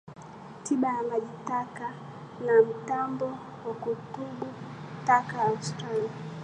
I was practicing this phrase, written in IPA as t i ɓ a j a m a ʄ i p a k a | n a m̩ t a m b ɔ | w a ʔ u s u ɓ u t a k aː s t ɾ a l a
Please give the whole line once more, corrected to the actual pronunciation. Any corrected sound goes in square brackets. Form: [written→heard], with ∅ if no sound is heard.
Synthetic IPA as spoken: t i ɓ a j a m a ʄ i [p→t] a k a | n a m̩ t a m b ɔ | w a [ʔ→k] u [s→t] u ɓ u t a k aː s t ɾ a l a